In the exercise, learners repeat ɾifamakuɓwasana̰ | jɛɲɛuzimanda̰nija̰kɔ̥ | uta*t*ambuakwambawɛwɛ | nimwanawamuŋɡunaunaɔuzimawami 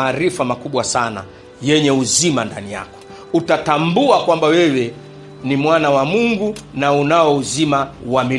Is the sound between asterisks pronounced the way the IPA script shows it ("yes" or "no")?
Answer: yes